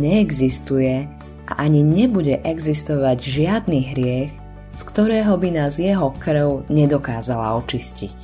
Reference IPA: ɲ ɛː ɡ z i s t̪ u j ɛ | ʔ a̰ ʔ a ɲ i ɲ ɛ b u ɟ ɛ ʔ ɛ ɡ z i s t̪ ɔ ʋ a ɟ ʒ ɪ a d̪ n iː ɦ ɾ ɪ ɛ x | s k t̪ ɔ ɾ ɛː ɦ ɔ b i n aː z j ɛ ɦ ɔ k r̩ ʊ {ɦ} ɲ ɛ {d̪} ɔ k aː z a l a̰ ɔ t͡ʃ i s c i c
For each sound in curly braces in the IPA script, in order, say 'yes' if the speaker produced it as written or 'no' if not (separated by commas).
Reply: no, yes